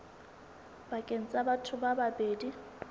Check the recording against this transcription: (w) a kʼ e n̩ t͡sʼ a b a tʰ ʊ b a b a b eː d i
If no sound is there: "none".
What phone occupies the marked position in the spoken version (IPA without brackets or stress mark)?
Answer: b